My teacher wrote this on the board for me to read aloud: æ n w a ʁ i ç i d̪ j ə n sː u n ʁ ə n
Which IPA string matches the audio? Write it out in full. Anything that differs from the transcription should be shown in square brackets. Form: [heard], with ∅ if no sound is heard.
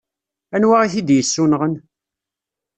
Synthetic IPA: æ n w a ʁ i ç i d̪ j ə [∅] sː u n ʁ ə n

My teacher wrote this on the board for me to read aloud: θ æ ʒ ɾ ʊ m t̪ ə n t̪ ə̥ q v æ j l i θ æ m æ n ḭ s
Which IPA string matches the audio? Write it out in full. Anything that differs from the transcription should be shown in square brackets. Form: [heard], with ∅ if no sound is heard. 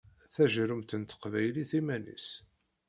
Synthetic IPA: θ æ ʒ ɾ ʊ m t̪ ə n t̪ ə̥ q v æ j l i θ [i] m æ n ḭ s

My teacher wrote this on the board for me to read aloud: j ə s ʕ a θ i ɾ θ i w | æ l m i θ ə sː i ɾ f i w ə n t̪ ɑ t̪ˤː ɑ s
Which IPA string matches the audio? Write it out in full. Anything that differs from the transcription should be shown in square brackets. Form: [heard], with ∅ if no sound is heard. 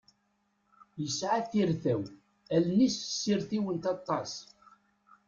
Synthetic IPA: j ə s ʕ a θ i ɾ θ [æ] w | æ l [n] i [s] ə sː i ɾ [θ] i w ə n t̪ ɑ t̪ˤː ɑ s

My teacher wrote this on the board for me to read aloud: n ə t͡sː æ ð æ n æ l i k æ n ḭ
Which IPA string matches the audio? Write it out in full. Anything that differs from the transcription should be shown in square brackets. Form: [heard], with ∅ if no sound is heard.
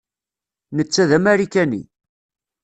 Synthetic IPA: n ə t͡sː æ ð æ [m] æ [ɾ] i k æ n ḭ

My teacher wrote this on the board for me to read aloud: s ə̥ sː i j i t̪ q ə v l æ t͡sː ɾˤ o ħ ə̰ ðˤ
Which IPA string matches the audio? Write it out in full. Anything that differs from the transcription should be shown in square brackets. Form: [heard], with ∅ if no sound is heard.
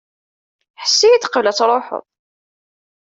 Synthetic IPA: [ħ] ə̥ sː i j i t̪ q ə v l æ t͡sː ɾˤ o ħ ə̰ ðˤ

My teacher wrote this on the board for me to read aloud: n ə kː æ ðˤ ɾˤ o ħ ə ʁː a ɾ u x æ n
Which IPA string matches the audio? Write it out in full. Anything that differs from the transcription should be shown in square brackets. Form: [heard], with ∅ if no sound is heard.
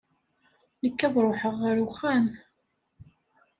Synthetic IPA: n ə kː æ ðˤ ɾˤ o ħ ə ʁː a ɾ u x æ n

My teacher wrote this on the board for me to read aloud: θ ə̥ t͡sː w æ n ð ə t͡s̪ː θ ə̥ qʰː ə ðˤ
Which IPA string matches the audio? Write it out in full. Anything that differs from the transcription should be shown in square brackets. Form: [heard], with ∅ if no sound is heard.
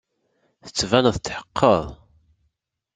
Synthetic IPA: θ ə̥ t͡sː [v] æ n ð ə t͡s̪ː [ħ] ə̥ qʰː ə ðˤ

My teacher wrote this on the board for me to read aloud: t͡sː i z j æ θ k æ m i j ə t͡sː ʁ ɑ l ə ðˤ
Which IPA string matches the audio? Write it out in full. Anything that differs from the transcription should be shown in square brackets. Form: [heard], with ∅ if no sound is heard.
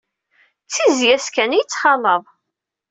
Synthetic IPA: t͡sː i z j æ [s] k æ [n] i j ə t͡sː [χ] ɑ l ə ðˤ

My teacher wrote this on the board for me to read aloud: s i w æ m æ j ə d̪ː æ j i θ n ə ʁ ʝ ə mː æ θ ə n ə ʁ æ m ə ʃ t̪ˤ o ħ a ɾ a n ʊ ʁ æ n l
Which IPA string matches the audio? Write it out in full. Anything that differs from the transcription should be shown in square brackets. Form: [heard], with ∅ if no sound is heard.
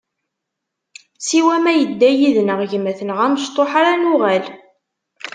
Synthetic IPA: s i w æ m æ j ə d̪ː æ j i [ð] n ə ʁ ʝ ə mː æ θ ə n ə ʁ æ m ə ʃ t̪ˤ o ħ a ɾ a n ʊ ʁ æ [∅] l

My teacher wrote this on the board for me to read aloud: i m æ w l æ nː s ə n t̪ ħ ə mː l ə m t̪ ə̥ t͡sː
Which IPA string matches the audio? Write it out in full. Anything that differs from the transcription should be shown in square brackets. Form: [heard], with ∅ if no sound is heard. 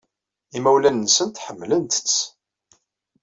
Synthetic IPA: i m æ w l æ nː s ə n t̪ ħ ə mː l ə [n] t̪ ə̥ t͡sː

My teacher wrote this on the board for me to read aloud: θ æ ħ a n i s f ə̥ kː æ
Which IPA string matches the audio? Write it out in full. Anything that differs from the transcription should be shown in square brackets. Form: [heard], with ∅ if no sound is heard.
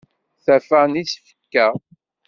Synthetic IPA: θ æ [f] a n i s f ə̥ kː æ

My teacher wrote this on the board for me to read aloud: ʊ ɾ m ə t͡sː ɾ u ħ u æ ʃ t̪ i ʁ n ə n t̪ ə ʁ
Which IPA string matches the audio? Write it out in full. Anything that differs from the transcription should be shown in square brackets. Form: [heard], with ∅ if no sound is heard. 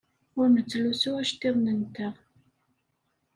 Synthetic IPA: ʊ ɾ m ə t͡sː [l] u [s] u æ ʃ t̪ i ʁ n ə n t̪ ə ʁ

